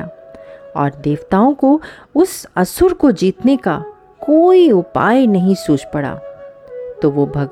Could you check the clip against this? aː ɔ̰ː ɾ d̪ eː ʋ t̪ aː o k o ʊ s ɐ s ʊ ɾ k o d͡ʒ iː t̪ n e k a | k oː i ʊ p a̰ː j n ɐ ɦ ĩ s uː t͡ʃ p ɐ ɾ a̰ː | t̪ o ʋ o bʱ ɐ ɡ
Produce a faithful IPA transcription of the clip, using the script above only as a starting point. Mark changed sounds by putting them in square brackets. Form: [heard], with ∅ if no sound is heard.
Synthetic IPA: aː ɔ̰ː ɾ d̪ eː ʋ t̪ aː [õ] k o ʊ s ɐ s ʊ ɾ k o d͡ʒ iː t̪ n e k a | k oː i ʊ p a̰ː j n ɐ ɦ ĩ s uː t͡ʃ p ɐ [ɽ] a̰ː | t̪ o ʋ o bʱ ɐ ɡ